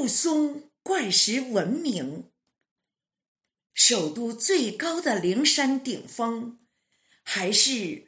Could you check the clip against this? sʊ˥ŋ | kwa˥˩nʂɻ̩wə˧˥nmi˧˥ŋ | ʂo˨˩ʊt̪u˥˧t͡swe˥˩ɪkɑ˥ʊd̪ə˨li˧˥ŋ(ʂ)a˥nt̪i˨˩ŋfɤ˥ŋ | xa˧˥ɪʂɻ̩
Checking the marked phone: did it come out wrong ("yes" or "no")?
no